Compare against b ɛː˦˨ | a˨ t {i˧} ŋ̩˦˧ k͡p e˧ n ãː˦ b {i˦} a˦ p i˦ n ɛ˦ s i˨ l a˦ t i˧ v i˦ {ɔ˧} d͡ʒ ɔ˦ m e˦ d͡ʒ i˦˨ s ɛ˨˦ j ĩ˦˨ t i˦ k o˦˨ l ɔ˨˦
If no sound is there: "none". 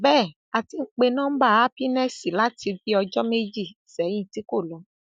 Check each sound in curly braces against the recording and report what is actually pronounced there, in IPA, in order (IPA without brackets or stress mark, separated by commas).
i˧, a˦, ɔ˧